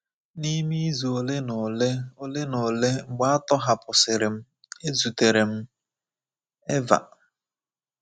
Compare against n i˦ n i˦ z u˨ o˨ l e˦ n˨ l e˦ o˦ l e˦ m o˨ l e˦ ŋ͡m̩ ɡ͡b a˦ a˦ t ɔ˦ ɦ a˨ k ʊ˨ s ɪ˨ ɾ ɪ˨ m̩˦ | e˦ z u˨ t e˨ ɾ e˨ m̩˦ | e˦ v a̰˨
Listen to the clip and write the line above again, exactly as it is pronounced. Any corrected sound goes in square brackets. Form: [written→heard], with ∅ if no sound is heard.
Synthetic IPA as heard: n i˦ [n→m] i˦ z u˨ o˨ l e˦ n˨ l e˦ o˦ l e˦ [m→n] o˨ l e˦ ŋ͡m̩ ɡ͡b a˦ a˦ t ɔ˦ ɦ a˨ [k→p] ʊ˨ s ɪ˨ ɾ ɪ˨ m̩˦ | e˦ z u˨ t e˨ ɾ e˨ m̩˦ | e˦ v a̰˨